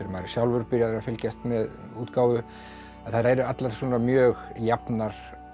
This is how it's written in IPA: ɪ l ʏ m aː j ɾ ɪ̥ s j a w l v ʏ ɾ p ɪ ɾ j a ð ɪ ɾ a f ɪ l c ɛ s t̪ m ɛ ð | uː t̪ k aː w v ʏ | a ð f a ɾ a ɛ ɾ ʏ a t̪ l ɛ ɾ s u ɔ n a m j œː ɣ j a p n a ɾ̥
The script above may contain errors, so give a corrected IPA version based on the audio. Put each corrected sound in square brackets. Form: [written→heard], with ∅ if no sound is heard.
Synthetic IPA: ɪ [l→ɾ] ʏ m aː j ɾ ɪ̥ s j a w l v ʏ ɾ p ɪ ɾ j a ð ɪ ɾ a f ɪ l c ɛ s t̪ m ɛ ð | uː t̪ k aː w v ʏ | a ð [f→θ] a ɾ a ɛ ɾ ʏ a t̪ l [ɛ→a] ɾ s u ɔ n a m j œː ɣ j a p n a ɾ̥